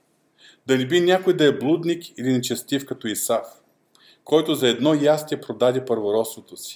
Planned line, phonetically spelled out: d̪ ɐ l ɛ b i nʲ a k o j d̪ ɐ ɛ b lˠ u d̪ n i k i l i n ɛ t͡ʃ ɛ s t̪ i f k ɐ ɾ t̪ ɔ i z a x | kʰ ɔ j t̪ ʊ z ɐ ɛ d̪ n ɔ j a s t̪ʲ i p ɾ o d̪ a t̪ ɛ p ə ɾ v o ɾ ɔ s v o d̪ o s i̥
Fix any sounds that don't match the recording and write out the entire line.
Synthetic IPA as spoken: d̪ ɐ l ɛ b i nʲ a k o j d̪ ɐ ɛ b lˠ u d̪ n i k i l i n ɛ t͡ʃ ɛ s t̪ i f k ɐ t̪ ɔ i s a f | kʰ ɔ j t̪ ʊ z ɐ ɛ d̪ n ɔ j a s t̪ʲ ɛ p ɾ o d̪ a d̪ ɛ p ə ɾ v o ɾ ɔ s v o t̪ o s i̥